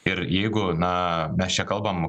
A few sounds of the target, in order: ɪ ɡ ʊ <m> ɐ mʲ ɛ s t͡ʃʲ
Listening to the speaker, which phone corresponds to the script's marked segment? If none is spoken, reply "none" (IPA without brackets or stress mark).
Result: n